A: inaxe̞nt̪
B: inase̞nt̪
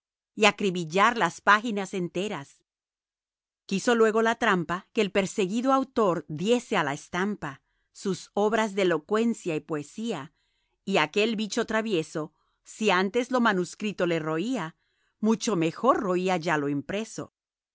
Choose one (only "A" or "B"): B